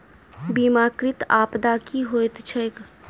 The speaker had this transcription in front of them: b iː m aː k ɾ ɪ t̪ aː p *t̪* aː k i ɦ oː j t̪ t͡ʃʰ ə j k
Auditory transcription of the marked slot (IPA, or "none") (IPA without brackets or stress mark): d̪